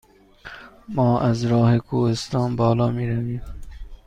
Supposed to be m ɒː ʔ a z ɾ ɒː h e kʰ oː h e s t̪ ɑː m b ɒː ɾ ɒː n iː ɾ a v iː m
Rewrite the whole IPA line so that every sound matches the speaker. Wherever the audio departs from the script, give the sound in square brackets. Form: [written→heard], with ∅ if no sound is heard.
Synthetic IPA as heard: m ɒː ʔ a z ɾ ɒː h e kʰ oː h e s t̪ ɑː [m→n] b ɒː [ɾ→l] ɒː [n→m] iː ɾ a v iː m